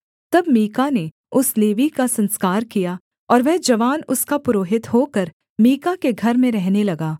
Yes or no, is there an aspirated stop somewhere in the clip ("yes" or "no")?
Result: no